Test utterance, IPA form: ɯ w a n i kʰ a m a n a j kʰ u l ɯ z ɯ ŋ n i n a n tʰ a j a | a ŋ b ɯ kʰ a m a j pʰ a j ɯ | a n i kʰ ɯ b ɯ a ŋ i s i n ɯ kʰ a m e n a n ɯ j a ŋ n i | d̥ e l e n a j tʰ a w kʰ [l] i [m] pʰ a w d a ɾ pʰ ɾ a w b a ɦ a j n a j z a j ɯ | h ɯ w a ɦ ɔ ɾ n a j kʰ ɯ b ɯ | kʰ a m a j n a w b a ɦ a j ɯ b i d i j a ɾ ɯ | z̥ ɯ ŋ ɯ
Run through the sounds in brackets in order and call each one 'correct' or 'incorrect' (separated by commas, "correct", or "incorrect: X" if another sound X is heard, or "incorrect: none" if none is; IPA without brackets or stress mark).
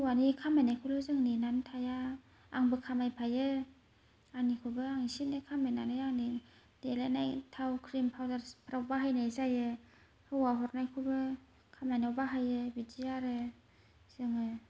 incorrect: ɾ, correct